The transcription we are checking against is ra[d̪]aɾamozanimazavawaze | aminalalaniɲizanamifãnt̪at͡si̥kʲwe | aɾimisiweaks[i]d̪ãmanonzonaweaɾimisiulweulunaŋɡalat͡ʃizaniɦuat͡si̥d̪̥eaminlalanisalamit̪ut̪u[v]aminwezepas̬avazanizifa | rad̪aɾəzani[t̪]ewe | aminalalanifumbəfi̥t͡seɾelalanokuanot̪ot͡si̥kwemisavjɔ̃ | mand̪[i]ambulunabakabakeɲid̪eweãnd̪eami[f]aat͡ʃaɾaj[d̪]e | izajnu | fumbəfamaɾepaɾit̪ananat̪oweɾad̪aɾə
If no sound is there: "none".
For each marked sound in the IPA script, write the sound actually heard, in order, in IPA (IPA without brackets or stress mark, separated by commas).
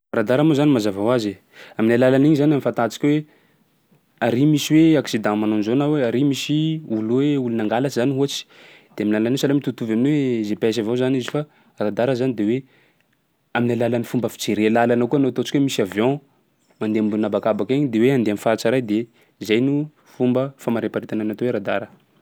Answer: d̪, i, v, d̪, e, f, d̪